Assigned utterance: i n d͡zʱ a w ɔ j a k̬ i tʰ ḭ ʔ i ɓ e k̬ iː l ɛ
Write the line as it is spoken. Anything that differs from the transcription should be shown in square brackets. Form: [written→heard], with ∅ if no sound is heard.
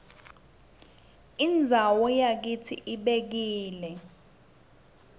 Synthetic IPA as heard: i n d͡zʱ a w ɔ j a k̬ i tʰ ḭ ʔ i ɓ e k̬ iː l ɛ